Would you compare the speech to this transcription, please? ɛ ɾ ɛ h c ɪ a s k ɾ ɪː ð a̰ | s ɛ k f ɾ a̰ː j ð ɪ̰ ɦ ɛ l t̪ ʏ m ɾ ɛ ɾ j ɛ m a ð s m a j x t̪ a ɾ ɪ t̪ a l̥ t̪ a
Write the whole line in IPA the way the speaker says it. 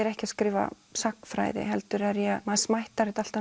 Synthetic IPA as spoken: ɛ ɾ ɛ h c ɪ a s k ɾ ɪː v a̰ | s a k f ɾ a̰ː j ð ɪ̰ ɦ ɛ l t̪ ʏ ɾ ɛ ɾ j ɛ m a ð s m a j h t̪ a ɾ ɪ t̪ a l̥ t̪ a